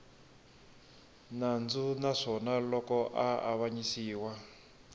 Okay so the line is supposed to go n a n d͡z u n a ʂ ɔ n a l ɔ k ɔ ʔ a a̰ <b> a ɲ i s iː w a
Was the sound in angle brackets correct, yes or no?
no